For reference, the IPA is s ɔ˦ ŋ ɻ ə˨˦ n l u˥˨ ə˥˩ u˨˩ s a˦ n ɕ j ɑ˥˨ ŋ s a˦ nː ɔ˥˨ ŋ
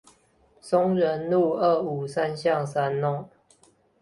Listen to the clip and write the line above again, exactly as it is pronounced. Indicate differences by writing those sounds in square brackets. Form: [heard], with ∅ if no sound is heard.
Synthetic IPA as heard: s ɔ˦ ŋ ɻ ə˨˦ n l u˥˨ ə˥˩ u˨˩ s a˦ n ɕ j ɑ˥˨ ŋ s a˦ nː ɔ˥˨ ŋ